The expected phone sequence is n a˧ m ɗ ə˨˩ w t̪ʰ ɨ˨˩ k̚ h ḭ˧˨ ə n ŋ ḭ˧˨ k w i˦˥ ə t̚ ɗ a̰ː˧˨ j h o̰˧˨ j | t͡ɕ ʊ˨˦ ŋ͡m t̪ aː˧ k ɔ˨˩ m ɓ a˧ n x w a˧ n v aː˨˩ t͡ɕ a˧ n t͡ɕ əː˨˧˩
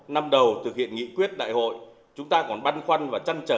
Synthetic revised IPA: n a˧ m ɗ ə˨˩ w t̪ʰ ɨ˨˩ k̚ h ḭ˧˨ ə n ŋ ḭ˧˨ k w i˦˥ ə t̚ ɗ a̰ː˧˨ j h o̰˧˨ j | t͡ɕ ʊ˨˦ ŋ͡m t̪ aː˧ k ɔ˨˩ n ɓ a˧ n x w a˧ n v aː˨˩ t͡ɕ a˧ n t͡ɕ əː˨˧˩